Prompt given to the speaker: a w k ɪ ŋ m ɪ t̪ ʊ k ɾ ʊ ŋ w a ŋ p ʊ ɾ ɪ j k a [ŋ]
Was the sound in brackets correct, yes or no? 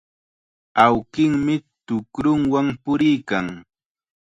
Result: yes